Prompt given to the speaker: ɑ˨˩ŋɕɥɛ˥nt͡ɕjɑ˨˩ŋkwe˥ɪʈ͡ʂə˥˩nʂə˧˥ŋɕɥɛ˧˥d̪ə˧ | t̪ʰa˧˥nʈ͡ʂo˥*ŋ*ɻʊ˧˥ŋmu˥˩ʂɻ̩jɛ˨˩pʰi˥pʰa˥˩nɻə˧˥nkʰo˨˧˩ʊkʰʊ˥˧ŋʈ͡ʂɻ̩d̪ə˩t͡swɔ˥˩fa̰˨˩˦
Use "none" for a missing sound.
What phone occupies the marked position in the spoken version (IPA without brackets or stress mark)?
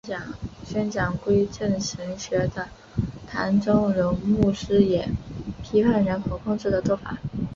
ŋ